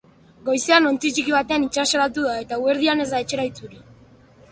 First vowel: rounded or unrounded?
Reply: rounded